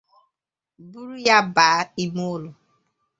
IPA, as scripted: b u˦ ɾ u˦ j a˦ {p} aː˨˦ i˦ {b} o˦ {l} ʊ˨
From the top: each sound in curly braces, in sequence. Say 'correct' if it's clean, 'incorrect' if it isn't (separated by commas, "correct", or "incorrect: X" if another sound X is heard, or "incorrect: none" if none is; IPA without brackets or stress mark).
incorrect: b, incorrect: m, correct